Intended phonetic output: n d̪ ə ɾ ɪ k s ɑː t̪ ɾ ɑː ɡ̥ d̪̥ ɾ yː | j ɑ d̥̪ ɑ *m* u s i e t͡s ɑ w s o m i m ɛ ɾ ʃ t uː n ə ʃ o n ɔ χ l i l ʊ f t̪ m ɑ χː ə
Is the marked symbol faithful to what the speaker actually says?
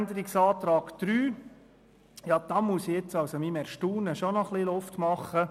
yes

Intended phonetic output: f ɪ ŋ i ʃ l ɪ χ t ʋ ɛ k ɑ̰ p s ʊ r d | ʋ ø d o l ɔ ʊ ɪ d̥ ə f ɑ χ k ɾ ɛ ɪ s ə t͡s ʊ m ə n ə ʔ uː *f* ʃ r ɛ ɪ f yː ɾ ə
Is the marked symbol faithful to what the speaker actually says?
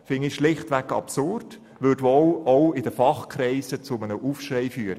yes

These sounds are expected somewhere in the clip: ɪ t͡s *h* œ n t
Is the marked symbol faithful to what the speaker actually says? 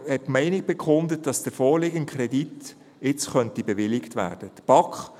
no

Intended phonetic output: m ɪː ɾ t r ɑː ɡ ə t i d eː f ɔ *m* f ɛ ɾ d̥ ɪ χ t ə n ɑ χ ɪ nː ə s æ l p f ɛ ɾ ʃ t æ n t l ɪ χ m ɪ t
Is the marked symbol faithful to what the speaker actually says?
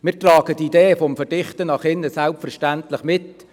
yes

